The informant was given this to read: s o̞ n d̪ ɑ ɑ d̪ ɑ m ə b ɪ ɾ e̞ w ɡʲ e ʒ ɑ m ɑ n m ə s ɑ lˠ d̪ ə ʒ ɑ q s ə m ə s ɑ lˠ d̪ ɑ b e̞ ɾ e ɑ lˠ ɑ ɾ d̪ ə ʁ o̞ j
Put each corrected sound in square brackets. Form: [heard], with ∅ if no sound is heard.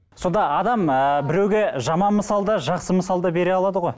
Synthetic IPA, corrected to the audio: s o̞ n d̪ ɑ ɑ d̪ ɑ m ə b ɪ ɾ e̞ w ɡʲ e ʒ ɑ m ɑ n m ə s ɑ lˠ d̪ [ɑ] ʒ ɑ q s ə m ə s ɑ lˠ d̪ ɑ b e̞ ɾ e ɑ lˠ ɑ [∅] d̪ ə ʁ o̞ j